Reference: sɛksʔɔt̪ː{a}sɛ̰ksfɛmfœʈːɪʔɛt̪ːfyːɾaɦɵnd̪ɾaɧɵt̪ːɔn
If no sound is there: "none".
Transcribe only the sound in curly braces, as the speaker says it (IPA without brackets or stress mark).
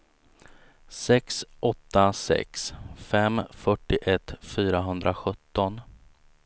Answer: a